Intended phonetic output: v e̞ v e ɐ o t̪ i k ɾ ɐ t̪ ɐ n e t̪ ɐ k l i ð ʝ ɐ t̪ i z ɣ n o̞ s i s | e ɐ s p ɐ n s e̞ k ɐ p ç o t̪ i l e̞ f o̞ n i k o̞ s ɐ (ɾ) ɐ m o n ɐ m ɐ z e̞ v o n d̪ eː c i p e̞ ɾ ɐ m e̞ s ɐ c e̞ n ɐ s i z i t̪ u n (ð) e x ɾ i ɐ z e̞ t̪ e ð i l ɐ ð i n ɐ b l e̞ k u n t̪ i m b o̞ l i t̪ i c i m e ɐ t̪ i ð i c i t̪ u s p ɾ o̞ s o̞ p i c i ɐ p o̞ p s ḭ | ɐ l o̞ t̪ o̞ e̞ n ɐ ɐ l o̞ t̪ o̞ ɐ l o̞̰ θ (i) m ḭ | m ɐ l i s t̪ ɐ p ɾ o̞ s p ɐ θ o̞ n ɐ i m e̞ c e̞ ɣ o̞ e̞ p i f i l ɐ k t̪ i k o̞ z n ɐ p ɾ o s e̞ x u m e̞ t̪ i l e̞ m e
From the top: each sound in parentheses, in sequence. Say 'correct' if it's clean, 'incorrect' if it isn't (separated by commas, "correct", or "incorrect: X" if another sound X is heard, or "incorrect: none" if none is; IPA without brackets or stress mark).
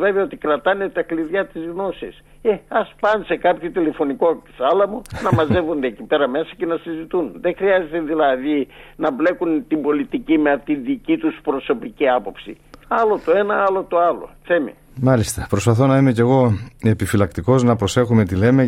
incorrect: l, correct, incorrect: e